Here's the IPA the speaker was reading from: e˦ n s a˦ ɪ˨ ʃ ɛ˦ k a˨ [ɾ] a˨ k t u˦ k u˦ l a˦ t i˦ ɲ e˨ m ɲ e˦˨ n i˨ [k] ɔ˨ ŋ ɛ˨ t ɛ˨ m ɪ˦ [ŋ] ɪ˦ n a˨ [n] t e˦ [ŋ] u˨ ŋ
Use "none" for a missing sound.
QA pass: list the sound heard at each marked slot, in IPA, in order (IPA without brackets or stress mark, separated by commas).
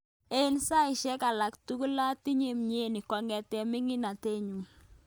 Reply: l, k, ŋ, none, ɲ